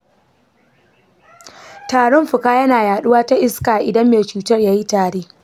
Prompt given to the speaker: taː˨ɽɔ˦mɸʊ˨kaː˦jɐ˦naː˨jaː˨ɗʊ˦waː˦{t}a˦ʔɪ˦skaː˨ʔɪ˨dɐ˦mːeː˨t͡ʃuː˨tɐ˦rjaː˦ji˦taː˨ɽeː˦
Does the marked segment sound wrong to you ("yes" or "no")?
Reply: no